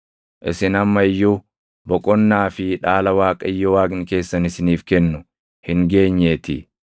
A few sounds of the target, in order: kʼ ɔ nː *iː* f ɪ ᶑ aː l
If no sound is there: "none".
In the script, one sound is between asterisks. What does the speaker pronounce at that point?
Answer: aː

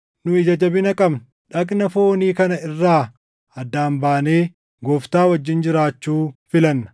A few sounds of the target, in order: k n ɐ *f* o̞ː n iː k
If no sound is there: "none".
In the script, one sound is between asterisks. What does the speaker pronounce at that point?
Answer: f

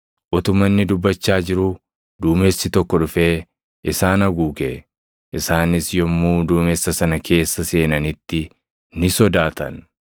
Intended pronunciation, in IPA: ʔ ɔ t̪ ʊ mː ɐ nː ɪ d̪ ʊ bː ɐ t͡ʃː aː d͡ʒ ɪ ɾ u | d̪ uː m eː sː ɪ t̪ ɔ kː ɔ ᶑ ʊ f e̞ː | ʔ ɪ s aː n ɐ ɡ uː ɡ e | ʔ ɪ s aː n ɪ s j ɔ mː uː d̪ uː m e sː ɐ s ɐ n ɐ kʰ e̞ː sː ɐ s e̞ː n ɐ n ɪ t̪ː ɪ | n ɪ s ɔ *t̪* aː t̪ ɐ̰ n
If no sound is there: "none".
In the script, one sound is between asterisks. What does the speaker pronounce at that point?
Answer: d̪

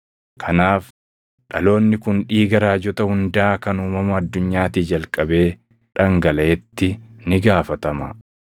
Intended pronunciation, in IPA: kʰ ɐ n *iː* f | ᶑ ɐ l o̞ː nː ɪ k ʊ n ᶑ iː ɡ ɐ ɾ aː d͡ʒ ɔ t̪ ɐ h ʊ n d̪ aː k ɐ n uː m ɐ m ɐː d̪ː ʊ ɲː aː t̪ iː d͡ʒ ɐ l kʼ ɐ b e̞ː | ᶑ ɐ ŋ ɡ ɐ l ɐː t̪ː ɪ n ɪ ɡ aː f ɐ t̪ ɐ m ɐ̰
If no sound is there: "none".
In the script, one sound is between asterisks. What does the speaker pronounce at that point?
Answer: aː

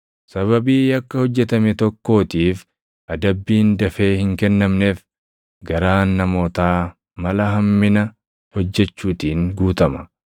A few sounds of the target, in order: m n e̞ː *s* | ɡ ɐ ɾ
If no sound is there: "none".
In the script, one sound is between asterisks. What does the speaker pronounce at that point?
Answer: f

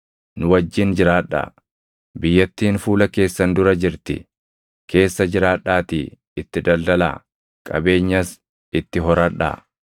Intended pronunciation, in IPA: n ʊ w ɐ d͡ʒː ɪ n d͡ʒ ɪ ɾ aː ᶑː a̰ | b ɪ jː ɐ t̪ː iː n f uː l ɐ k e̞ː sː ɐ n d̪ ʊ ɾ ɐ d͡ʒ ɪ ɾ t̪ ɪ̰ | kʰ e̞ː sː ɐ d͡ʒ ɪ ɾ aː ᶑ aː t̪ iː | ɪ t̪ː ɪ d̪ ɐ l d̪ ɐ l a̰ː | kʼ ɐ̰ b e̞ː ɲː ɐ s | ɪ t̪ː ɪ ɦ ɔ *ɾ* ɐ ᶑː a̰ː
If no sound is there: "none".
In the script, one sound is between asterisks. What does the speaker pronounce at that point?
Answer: ɾ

